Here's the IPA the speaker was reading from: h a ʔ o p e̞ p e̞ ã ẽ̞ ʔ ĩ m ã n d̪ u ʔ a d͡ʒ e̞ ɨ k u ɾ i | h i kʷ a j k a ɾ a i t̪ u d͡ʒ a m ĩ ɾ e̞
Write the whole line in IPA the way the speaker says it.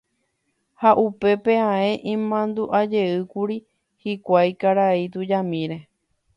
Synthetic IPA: h a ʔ u p e̞ p e̞ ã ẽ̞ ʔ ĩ m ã n d̪ u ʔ a d͡ʒ e̞ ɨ k u ɾ i | h i kʷ a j k a ɾ a i t̪ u d͡ʒ a m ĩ ɾ e̞